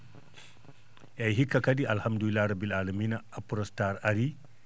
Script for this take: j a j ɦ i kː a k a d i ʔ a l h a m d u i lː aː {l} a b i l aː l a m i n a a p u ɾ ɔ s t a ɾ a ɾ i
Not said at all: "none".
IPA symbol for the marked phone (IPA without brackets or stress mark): ɾ